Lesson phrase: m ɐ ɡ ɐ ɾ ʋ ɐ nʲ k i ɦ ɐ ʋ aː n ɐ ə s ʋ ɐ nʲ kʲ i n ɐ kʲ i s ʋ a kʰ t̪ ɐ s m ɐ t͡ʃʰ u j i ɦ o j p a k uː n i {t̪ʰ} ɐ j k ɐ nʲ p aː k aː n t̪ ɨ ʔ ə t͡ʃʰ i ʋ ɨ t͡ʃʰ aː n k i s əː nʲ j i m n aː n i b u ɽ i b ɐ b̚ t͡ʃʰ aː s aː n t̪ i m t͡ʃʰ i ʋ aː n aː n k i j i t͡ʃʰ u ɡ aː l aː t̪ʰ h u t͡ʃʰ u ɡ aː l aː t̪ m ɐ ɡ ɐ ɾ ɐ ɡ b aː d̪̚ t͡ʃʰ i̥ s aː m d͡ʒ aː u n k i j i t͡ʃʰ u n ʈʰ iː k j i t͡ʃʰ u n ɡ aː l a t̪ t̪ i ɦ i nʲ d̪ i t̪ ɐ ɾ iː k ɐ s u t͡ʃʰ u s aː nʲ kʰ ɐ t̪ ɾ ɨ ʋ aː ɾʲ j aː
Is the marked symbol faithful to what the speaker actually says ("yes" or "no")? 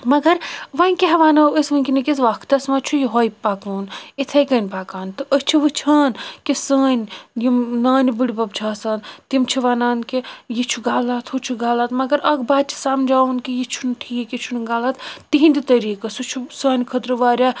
yes